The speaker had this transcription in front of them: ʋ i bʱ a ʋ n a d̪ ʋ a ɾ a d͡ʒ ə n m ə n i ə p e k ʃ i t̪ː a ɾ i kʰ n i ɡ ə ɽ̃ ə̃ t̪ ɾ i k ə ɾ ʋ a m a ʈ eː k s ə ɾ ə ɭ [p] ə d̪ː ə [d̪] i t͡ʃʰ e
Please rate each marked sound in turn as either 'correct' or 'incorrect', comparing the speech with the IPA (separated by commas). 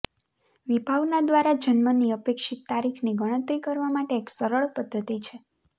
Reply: correct, incorrect